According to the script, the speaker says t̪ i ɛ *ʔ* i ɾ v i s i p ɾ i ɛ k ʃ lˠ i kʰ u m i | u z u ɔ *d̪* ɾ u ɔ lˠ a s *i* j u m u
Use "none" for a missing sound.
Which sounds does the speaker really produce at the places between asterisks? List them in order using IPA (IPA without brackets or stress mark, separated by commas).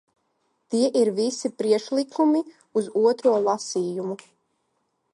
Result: ʔ, t̪, iː